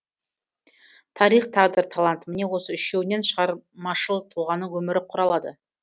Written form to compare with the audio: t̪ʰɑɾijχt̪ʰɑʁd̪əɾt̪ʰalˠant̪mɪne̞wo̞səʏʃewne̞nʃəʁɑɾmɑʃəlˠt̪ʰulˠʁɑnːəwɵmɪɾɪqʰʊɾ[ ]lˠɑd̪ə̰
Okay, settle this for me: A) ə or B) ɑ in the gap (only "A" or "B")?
B